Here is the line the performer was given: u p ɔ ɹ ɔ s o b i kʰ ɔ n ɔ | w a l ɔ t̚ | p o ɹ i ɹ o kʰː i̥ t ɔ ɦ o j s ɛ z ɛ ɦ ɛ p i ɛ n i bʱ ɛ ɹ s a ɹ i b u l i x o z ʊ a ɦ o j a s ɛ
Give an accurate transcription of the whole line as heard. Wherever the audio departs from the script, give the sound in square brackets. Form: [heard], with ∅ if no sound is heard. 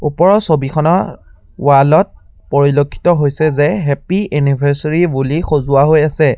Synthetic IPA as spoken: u p ɔ ɹ ɔ s o b i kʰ ɔ n ɔ | w a l ɔ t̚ | p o ɹ i [l] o kʰː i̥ t ɔ ɦ o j s ɛ z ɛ ɦ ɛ p i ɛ n i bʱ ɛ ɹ s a ɹ i b u l i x o z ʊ a ɦ o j a s ɛ